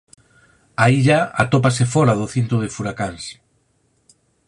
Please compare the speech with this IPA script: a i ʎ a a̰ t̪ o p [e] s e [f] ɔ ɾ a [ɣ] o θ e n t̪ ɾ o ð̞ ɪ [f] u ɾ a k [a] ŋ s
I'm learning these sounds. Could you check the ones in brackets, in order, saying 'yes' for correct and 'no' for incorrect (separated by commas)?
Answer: no, yes, no, yes, yes